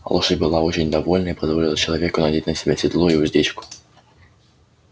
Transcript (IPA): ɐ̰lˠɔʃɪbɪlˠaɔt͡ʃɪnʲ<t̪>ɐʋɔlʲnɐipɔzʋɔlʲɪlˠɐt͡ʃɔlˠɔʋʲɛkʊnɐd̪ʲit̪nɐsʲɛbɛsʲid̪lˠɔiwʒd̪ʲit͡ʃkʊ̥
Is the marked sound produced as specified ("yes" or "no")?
no